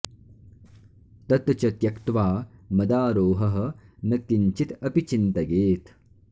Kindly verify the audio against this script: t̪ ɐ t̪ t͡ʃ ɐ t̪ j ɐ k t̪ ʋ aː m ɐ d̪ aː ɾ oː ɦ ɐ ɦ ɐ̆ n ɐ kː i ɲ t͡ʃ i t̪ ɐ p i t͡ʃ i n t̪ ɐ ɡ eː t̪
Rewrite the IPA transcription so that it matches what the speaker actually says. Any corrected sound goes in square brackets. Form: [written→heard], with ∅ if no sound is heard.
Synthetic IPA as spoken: t̪ ɐ t̪ t͡ʃ ɐ t̪ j ɐ k t̪ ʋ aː m ɐ d̪ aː ɾ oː ɦ ɐ ɦ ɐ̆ n ɐ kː i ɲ t͡ʃ i t̪ ɐ p i t͡ʃ i n t̪ ɐ ɡ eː t̪